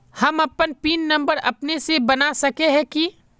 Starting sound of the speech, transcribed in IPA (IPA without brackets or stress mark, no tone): h